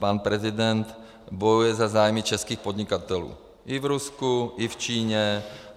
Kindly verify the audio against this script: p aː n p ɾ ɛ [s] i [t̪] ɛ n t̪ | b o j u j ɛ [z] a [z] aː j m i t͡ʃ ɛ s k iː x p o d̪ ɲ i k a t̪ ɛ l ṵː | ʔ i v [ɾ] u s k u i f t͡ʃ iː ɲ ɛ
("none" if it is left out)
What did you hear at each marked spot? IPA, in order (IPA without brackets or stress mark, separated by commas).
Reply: z, d̪, z, z, ɾ